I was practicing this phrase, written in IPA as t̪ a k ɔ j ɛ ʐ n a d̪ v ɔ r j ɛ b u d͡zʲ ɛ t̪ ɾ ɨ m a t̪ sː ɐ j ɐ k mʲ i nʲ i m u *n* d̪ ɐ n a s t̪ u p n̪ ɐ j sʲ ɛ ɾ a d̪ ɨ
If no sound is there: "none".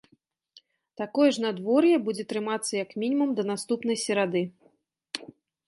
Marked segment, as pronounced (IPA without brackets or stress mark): m